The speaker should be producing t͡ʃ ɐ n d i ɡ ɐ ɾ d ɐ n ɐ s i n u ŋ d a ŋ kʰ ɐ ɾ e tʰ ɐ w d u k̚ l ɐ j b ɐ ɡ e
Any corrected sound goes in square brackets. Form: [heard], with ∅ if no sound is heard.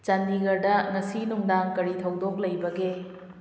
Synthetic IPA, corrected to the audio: t͡ʃ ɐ n d i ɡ ɐ ɾ d ɐ [ŋ] ɐ s i n u ŋ d a ŋ [k] ɐ ɾ [i] tʰ ɐ w d [o] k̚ l ɐ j b ɐ ɡ e